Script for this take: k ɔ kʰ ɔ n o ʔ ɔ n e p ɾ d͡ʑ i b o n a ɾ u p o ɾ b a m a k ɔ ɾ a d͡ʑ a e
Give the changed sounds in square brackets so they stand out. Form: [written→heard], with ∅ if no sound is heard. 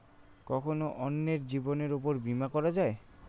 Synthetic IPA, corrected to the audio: k ɔ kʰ [ɔ→o] n o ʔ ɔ [n→nː] e [p→∅] ɾ d͡ʑ i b o n [a→e] ɾ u p o ɾ b [a→i] m a k ɔ ɾ a d͡ʑ a e